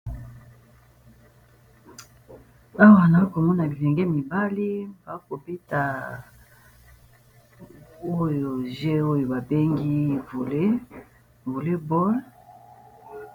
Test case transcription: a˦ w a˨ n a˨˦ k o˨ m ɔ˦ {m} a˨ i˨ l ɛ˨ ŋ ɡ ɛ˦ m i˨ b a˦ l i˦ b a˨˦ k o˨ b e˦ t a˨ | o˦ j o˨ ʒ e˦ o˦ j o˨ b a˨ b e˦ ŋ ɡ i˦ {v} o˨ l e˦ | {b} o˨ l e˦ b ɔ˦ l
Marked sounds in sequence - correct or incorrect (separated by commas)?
incorrect, correct, incorrect